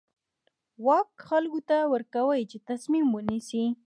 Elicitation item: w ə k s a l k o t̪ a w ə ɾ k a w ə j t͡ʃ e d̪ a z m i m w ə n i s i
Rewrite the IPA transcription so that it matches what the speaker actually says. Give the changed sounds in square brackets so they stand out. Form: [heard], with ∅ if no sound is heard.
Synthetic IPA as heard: w [ɑ] k [x] a l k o t̪ a w ə ɾ k a w ə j t͡ʃ e [t̪] a [s] m i m w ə n i s i